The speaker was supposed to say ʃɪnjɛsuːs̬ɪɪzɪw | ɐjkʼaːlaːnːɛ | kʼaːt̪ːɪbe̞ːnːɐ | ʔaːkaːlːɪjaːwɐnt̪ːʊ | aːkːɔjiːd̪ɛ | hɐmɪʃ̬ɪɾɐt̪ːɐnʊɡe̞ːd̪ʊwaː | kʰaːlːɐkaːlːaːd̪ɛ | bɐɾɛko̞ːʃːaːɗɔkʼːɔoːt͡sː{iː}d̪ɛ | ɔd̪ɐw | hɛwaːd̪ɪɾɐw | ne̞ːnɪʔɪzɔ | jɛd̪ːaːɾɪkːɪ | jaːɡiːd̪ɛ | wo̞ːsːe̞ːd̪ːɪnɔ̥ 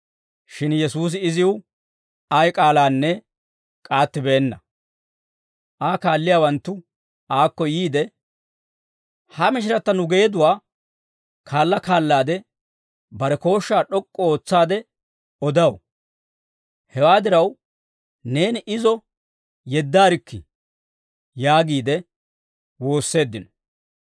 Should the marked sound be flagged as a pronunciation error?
yes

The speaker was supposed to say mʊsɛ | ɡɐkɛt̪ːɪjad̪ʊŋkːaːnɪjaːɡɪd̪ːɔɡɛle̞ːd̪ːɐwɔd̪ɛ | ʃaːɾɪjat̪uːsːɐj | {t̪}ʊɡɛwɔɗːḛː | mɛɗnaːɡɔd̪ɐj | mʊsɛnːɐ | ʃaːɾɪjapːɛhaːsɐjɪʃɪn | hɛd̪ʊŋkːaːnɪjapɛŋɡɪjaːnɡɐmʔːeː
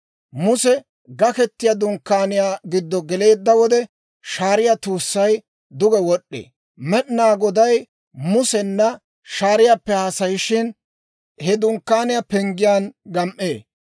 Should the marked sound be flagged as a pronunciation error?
yes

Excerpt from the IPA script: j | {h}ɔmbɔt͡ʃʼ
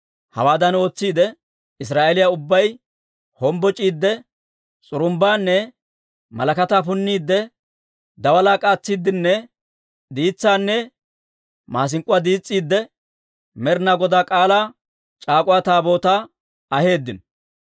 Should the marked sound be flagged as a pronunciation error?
no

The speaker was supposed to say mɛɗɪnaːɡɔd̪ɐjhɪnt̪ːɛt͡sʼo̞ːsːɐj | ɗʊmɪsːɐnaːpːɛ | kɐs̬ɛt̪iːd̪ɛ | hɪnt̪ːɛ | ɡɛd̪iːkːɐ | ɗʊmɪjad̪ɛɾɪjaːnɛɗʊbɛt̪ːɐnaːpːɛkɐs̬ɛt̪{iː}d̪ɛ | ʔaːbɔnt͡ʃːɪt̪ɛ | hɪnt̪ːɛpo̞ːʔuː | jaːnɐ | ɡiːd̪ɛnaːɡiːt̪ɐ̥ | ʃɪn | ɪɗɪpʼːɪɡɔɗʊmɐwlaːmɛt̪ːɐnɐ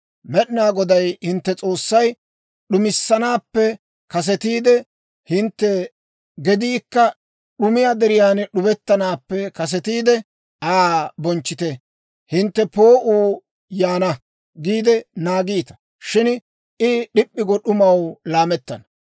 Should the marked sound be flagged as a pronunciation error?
no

